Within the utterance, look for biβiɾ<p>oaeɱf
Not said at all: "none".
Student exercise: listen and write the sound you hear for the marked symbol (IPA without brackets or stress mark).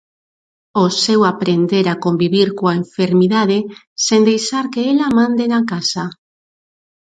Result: k